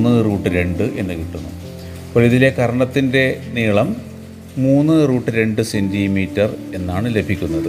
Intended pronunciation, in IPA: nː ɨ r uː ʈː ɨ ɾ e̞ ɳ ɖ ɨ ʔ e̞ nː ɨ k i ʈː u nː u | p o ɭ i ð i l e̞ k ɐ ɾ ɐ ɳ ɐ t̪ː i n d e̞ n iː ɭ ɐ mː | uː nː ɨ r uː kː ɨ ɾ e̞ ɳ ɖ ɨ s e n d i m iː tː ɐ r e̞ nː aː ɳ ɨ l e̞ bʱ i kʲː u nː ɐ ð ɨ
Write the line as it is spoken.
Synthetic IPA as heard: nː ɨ r uː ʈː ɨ ɾ e̞ ɳ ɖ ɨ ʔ e̞ nː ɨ k i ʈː u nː u | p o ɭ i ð i l e̞ k ɐ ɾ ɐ ɳ ɐ t̪ː i n d e̞ n iː ɭ ɐ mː | uː nː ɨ r uː ʈː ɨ ɾ e̞ ɳ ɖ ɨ s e n d i m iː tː ɐ r e̞ nː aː ɳ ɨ l e̞ bʱ i kʲː u nː ɐ ð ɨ